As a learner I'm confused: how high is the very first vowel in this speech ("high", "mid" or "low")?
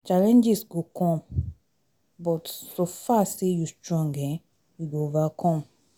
low